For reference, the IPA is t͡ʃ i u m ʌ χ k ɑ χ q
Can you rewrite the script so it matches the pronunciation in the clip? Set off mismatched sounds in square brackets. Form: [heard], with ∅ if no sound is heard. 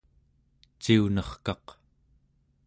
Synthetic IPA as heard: t͡ʃ i u [n] ʌ χ k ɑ [∅] q